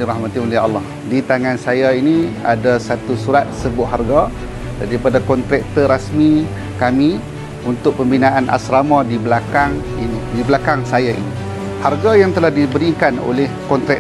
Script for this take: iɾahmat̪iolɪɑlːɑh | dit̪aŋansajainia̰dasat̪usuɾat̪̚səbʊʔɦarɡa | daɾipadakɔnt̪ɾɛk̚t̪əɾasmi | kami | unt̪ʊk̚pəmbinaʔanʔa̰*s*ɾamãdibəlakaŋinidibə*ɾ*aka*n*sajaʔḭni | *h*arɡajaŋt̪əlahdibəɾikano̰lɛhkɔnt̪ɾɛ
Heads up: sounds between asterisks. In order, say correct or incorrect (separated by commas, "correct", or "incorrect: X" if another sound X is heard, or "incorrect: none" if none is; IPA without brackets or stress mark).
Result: correct, incorrect: l, incorrect: ŋ, correct